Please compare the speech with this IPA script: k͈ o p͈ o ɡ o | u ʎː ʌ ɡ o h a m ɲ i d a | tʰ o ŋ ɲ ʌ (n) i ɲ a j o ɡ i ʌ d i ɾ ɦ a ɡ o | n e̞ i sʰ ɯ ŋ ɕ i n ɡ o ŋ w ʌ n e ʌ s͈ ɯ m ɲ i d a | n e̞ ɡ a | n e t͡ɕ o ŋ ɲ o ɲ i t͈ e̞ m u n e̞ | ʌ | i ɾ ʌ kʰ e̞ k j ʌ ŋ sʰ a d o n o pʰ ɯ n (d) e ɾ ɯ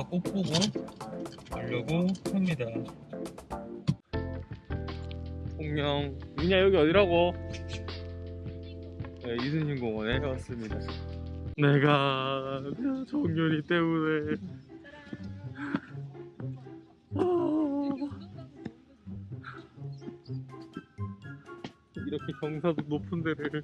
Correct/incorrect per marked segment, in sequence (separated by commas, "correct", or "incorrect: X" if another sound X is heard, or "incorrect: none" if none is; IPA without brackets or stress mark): incorrect: ŋ, correct